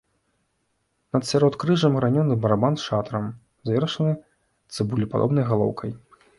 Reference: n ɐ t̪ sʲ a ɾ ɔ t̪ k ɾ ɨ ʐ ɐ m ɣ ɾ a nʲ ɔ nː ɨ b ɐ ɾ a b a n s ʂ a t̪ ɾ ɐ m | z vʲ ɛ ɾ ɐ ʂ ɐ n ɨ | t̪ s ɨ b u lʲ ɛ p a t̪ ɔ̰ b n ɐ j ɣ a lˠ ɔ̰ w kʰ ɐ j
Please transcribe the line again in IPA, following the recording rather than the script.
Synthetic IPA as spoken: n ɐ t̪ sʲ a ɾ ɔ t̪ k ɾ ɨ ʐ ɐ m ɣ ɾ a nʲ ɔ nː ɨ b ɐ ɾ a b a n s ʂ a t̪ ɾ ɐ m | z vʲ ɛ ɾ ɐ ʂ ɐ n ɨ | t̪ s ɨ b u lʲ i p a d̪ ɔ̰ b n ɐ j ɣ a lˠ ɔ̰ w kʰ ɐ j